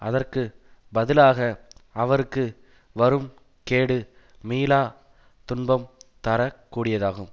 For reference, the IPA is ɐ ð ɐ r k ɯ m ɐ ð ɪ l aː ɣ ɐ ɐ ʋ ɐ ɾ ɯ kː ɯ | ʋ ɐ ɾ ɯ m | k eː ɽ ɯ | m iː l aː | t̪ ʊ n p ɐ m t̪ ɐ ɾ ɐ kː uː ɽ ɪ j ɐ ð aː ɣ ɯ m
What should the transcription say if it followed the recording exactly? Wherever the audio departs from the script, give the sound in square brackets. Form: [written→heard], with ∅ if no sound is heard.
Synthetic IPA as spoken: ɐ ð ɐ r k ɯ [m→b] ɐ ð ɪ l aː ɣ ɐ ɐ ʋ ɐ ɾ ɯ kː ɯ | ʋ ɐ ɾ ɯ m | k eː ɽ ɯ | m iː l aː | t̪ ʊ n [p→b] ɐ m t̪ ɐ ɾ ɐ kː uː ɽ ɪ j ɐ ð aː ɣ ɯ m